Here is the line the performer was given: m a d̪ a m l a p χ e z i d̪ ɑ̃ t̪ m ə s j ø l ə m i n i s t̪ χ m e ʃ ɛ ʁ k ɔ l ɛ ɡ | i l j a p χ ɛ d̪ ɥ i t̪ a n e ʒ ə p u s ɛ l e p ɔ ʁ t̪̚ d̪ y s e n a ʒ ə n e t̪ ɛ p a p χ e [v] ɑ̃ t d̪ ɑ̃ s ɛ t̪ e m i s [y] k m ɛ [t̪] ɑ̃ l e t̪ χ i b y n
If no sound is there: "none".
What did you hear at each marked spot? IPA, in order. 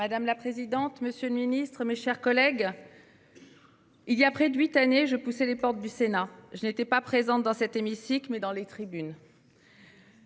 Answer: z, i, d̪

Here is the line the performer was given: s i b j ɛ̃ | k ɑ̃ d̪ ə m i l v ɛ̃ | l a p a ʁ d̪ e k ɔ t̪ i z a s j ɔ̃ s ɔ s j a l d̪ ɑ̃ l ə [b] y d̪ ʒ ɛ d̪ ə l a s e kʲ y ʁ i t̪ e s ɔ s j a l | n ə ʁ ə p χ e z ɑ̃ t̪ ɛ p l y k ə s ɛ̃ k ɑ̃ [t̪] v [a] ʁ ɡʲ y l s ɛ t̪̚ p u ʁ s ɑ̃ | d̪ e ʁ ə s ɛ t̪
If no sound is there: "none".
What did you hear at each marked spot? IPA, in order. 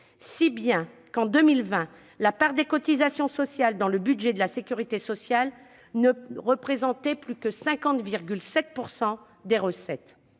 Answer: b, t̪, i

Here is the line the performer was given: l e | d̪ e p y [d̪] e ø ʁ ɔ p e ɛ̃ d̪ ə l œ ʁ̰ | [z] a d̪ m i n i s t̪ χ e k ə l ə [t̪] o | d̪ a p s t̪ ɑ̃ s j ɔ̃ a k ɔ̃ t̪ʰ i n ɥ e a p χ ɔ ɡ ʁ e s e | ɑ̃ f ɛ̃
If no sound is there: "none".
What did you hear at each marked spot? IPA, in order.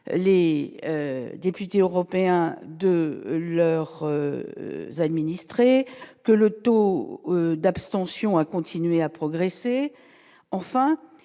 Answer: t̪, z, t̪

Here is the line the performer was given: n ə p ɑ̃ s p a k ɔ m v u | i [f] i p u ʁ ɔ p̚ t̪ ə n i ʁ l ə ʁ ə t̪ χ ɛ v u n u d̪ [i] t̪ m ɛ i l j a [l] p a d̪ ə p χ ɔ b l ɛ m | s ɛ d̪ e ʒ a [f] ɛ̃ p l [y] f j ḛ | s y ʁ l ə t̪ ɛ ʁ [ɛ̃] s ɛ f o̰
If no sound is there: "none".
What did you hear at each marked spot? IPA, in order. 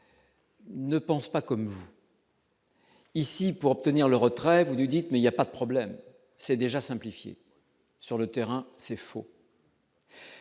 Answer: s, i, none, s, i, ɛ̃

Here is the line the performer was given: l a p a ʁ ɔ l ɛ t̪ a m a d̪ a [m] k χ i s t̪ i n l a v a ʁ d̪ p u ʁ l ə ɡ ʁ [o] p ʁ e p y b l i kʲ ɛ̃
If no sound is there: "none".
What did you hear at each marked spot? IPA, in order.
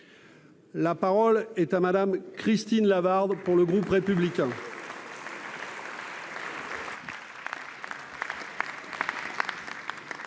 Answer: m, u

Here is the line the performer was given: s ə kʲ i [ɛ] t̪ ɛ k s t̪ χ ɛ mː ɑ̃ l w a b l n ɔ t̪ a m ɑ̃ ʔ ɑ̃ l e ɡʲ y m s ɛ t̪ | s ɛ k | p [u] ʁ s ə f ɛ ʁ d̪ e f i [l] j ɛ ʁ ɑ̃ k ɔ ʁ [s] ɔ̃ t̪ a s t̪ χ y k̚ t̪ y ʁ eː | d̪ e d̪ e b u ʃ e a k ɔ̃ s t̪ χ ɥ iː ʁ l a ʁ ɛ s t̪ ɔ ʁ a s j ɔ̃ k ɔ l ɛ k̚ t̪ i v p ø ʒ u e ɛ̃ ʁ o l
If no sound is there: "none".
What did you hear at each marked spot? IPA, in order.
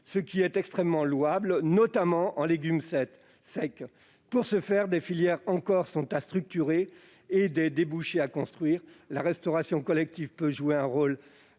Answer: ɛ, u, l, s

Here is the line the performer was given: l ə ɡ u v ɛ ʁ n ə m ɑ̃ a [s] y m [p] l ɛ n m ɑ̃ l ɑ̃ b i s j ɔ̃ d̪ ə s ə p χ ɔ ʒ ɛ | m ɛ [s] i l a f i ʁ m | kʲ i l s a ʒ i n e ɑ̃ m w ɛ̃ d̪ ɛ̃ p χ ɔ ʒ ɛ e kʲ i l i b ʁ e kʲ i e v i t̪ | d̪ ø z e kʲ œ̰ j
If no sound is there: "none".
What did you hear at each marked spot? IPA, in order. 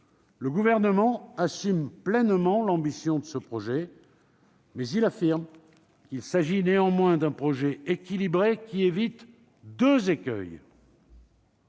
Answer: s, p, z

